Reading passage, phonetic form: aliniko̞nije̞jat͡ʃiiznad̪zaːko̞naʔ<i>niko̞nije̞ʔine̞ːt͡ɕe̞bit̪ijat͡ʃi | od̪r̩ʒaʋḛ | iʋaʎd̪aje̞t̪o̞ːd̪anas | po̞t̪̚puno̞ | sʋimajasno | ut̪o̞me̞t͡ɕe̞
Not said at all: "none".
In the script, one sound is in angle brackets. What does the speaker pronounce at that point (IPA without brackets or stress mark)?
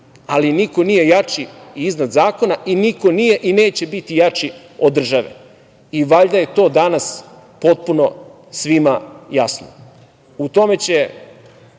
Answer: i